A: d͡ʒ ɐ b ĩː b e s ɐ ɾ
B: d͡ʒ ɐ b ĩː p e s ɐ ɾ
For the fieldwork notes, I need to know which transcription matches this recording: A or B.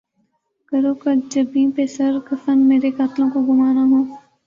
B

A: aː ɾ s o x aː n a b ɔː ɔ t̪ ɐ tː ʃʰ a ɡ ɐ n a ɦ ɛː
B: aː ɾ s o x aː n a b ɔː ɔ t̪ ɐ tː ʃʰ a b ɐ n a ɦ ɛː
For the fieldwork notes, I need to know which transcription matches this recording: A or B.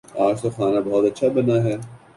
B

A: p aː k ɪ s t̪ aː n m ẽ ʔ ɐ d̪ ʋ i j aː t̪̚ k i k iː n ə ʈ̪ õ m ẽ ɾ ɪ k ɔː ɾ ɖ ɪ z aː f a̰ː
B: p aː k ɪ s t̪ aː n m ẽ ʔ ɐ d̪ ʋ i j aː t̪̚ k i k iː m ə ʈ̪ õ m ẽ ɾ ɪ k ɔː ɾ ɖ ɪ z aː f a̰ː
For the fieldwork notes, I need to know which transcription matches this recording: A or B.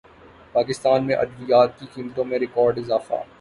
B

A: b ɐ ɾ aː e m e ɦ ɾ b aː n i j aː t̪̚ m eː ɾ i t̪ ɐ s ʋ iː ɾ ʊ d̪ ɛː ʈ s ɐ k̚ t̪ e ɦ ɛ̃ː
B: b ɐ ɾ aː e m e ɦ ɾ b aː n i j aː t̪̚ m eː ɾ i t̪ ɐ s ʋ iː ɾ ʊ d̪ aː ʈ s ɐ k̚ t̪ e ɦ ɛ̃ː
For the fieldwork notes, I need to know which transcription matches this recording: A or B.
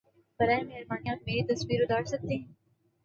B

